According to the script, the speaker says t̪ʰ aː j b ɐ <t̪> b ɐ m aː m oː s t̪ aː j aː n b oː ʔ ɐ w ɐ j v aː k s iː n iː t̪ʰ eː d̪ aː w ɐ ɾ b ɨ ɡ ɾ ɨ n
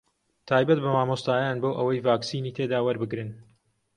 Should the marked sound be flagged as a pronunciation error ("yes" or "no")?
no